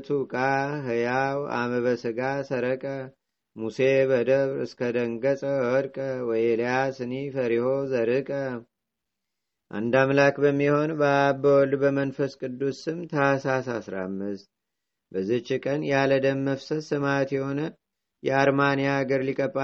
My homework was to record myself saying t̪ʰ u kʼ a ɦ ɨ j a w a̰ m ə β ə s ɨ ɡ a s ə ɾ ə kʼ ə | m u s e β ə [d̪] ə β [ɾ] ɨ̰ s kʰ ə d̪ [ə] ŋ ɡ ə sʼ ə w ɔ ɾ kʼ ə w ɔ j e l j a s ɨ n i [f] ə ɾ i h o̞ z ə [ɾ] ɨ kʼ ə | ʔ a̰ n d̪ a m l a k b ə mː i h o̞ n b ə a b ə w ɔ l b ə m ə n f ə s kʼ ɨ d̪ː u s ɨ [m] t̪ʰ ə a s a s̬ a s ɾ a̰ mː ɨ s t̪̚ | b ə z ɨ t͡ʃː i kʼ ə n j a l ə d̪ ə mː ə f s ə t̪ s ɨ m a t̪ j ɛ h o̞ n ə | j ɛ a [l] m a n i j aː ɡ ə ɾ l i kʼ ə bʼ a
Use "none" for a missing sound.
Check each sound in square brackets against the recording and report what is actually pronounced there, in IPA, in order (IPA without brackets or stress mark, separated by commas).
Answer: d̪, ɾ, ə, f, ɾ, m, ɾ